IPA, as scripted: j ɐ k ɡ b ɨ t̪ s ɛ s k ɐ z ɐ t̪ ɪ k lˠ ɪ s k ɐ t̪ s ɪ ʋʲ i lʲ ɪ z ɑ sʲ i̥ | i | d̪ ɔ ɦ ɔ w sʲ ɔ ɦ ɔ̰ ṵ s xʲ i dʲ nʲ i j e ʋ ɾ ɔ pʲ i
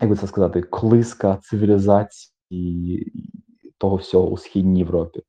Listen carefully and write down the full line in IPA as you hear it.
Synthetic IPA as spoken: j ɐ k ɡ b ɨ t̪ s ɛ s k ɐ z ɑ t̪ ɪ k lˠ ɪ s k ɐ t̪ s ɪ ʋʲ i lʲ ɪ z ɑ t͡sʲ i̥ | i | t̪ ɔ ɦ ɔ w sʲ ɔ ɦ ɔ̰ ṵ s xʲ i dʲ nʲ i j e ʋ ɾ ɔ pʲ i